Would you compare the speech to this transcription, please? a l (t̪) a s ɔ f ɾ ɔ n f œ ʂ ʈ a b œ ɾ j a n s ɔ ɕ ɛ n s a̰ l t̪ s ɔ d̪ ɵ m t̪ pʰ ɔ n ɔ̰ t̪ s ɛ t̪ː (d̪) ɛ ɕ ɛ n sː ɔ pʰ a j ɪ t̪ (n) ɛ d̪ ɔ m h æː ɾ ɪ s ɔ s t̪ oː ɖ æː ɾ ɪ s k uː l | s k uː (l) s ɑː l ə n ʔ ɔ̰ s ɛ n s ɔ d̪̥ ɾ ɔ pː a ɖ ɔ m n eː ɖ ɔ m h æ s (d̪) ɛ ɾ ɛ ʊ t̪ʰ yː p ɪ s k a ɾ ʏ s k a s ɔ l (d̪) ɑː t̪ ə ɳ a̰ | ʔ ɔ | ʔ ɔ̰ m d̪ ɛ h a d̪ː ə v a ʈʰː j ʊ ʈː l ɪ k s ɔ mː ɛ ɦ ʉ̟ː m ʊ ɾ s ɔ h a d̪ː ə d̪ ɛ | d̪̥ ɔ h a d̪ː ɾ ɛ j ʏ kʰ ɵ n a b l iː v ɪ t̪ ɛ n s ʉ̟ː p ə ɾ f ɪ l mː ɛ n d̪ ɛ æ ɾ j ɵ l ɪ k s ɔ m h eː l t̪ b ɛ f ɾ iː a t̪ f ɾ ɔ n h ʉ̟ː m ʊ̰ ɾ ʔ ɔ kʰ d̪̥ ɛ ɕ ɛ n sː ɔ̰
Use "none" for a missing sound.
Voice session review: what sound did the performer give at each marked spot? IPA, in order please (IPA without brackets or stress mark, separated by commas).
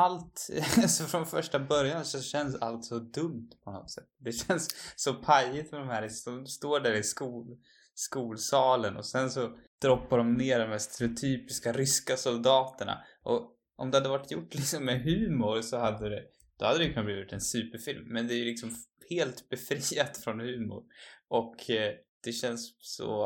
t̪, d̪, m, l, t̪, d̪